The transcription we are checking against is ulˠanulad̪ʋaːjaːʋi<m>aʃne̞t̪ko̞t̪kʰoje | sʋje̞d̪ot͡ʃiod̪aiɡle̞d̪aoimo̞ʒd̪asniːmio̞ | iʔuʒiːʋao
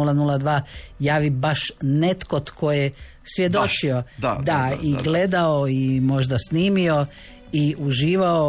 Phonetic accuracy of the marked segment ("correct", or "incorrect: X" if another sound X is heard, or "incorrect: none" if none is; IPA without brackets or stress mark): incorrect: b